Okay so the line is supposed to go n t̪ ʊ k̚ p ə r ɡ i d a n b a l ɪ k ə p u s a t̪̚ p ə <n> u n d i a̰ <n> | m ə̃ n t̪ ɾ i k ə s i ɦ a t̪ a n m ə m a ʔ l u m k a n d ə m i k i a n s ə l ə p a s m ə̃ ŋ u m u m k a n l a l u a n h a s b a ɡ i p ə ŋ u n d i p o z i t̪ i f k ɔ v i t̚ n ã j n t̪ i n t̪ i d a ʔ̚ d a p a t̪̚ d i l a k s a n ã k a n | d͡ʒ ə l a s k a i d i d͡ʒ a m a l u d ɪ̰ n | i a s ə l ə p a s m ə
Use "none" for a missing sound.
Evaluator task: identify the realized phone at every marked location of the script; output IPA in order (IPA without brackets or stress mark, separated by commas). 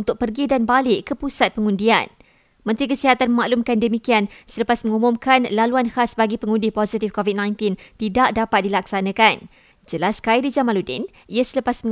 ŋ, n